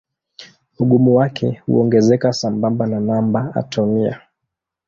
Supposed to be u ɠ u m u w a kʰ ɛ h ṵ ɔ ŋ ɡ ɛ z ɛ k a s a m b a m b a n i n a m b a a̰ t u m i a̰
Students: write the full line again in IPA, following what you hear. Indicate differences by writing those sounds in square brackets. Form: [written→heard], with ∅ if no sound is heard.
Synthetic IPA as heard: u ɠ u m u w a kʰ ɛ h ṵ ɔ ŋ ɡ ɛ z ɛ k a s a m b a m b a n [i→a] n a m b a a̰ t [u→ɔ] m i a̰